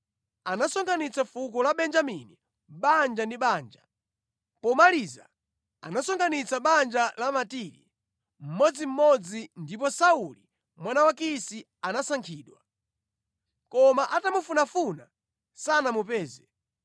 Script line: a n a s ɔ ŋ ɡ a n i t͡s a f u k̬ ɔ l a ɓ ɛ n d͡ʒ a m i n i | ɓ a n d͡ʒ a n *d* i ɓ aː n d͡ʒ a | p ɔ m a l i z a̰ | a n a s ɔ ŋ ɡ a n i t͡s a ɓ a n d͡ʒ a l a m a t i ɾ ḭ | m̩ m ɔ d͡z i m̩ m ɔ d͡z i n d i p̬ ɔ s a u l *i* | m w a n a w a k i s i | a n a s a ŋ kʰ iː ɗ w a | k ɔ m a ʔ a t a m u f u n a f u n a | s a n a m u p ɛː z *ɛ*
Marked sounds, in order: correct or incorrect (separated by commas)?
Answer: correct, correct, correct